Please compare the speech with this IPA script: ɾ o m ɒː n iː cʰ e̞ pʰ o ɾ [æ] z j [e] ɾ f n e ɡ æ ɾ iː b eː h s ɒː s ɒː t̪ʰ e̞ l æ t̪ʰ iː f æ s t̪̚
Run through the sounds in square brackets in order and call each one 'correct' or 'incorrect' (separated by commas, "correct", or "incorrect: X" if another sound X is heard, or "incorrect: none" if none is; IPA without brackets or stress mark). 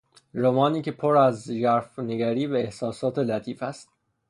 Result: correct, incorrect: æ